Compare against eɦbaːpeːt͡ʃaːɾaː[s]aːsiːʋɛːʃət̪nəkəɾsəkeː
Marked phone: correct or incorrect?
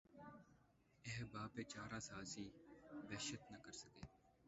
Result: correct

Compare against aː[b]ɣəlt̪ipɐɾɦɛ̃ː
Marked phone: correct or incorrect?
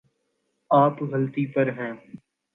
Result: incorrect: p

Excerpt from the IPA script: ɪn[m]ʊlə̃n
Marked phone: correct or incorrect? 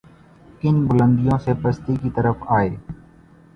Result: incorrect: b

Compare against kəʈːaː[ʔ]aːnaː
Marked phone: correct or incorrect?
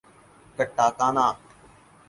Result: incorrect: k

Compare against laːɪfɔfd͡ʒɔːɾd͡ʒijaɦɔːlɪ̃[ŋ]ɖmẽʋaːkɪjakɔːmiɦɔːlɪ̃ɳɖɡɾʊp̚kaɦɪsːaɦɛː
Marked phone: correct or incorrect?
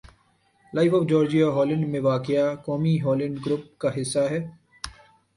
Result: incorrect: ɳ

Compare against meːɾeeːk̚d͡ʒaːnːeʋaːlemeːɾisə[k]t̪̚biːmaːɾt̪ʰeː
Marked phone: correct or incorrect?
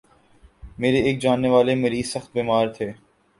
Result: incorrect: x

